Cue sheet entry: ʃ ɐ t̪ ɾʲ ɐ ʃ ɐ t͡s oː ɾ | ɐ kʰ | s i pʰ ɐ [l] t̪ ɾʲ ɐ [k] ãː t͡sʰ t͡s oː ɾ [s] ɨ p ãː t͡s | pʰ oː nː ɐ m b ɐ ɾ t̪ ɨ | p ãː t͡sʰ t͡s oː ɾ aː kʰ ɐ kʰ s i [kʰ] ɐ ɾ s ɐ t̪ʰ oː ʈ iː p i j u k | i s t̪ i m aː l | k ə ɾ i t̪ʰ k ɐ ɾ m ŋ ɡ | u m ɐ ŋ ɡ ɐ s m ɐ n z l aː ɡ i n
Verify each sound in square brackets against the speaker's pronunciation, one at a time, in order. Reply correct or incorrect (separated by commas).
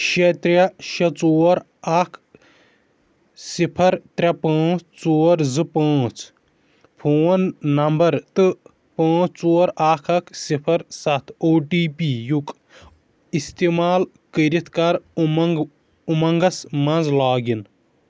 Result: incorrect, incorrect, incorrect, incorrect